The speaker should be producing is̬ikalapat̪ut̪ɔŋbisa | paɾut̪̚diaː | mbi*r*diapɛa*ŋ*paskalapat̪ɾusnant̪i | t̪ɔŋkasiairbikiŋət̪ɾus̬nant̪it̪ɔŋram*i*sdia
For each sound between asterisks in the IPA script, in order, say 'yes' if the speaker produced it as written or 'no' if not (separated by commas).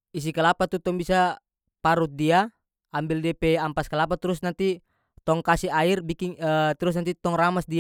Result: no, no, no